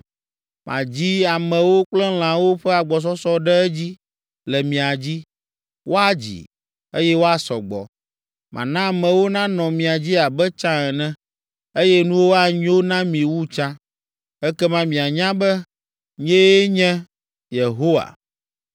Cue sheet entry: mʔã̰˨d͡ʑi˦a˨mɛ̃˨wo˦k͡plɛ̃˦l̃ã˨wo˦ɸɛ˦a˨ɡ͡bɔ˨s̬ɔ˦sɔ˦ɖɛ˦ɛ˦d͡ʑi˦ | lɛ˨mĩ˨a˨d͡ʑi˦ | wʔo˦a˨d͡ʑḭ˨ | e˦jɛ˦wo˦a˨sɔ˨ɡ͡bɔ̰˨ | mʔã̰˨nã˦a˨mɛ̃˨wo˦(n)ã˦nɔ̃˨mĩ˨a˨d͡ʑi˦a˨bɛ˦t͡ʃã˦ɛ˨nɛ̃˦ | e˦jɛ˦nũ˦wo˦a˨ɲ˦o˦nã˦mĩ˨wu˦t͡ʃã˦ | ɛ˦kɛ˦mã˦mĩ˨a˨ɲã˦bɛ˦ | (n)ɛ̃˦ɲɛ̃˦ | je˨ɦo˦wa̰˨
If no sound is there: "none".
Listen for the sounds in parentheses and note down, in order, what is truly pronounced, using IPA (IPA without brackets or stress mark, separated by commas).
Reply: n, ɲ